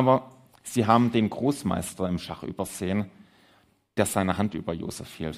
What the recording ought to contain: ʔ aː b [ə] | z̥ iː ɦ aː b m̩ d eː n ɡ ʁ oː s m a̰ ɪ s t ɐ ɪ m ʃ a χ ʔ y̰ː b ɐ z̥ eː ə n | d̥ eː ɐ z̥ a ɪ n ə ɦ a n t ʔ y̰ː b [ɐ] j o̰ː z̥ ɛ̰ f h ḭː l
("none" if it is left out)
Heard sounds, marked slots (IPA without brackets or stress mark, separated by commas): ɐ, ɐ